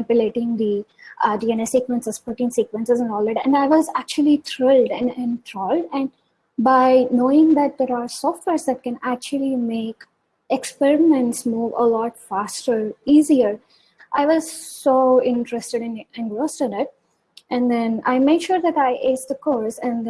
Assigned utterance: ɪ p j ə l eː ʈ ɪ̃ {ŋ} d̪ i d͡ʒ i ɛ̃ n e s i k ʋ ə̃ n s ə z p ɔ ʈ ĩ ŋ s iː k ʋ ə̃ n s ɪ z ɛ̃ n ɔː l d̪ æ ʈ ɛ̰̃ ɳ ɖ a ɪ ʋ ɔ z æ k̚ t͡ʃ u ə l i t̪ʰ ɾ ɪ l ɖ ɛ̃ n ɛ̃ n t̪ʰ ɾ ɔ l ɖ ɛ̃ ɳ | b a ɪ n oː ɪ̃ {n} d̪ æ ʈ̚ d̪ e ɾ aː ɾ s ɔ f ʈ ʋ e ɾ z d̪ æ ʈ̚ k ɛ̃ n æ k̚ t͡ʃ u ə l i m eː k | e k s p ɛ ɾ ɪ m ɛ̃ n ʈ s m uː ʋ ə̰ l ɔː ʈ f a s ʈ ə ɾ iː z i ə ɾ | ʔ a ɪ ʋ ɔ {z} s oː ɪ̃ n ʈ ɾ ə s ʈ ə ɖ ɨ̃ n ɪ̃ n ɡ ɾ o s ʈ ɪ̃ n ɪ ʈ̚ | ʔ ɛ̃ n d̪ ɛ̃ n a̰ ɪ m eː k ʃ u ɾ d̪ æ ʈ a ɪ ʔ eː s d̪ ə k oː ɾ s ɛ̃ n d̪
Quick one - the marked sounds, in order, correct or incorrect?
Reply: correct, incorrect, correct

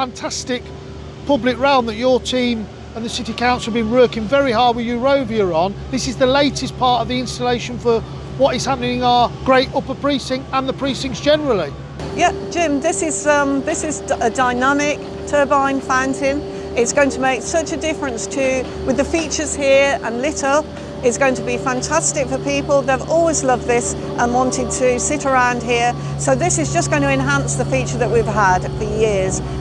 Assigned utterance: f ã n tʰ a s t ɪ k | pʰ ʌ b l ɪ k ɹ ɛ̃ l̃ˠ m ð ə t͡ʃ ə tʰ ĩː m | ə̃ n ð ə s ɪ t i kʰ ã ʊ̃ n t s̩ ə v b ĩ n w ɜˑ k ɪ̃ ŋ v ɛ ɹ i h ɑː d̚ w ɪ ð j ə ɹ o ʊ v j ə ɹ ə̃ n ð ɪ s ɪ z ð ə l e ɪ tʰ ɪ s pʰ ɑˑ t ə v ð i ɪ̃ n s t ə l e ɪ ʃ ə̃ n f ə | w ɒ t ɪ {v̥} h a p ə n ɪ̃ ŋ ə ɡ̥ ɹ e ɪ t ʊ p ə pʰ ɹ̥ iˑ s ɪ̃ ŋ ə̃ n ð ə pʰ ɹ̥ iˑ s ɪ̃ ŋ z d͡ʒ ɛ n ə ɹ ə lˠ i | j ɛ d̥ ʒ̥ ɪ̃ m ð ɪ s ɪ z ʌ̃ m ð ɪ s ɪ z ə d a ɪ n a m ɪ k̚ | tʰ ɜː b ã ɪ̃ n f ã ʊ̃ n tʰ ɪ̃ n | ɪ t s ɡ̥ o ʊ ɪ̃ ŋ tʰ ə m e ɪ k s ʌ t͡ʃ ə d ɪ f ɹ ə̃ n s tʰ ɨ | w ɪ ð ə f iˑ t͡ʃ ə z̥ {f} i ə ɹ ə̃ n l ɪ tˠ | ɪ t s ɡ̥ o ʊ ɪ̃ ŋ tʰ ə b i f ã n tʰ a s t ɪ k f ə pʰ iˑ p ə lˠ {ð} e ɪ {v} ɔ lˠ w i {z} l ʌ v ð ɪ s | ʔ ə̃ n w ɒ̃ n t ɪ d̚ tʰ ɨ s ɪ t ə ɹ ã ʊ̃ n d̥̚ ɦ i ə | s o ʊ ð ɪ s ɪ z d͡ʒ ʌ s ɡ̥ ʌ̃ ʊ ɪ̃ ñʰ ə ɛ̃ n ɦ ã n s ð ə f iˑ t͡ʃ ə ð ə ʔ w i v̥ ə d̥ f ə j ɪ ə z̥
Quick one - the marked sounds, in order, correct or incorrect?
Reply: incorrect, incorrect, correct, correct, correct

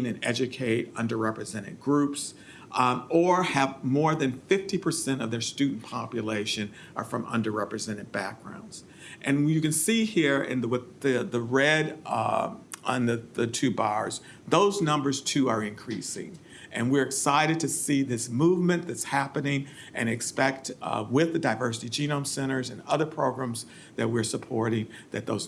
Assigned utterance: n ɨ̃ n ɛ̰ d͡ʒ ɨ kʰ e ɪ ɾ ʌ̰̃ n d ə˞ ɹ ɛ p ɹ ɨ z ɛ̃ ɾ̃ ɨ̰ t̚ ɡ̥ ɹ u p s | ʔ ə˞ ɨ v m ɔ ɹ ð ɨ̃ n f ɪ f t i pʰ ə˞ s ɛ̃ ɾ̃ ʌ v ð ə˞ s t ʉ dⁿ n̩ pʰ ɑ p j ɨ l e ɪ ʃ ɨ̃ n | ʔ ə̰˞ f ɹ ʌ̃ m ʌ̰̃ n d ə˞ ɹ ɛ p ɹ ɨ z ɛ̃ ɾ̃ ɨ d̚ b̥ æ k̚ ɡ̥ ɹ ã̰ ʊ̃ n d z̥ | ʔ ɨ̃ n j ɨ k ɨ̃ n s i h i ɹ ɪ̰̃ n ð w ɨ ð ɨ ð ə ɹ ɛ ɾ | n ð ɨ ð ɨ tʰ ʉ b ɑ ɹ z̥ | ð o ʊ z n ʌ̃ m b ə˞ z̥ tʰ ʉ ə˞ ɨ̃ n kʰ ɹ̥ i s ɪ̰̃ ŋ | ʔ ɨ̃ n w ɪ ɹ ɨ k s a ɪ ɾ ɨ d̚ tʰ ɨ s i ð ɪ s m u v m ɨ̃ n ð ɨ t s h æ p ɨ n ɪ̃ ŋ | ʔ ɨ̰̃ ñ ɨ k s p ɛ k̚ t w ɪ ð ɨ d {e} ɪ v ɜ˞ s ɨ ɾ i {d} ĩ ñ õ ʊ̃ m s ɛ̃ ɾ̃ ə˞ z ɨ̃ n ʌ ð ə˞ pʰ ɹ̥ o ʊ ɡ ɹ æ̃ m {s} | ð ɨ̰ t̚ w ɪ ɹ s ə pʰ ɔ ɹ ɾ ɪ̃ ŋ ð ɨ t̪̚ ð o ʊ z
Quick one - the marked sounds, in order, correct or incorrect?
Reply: incorrect, incorrect, incorrect

